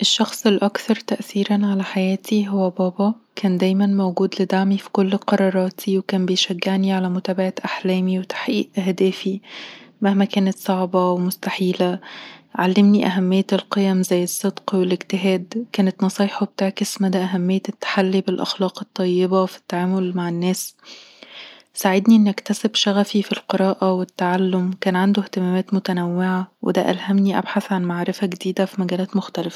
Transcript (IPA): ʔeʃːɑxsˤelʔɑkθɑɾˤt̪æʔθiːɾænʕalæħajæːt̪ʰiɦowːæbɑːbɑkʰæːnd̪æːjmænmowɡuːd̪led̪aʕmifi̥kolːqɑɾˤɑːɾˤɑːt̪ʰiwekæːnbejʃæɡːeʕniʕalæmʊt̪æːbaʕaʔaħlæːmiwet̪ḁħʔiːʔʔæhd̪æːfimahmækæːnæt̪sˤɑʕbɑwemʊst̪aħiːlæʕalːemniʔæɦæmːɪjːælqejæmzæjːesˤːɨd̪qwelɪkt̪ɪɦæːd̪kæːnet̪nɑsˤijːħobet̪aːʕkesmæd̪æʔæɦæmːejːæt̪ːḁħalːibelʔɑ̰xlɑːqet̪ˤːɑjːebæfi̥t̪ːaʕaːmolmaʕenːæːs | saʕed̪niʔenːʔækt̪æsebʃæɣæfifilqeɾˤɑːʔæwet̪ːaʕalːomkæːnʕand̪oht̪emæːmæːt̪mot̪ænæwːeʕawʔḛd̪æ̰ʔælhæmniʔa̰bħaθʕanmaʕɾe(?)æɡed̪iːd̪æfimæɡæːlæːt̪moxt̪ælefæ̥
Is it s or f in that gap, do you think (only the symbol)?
f